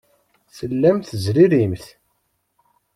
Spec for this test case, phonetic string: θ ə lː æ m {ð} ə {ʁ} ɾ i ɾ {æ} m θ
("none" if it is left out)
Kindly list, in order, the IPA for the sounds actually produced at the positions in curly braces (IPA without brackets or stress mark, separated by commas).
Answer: θ, z, i